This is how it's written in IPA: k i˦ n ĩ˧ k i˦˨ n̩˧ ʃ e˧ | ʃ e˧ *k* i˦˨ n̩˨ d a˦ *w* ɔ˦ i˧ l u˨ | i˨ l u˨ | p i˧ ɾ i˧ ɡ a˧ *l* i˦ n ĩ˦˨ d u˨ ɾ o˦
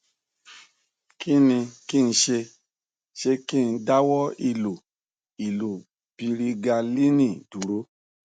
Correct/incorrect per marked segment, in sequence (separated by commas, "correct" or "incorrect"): correct, correct, correct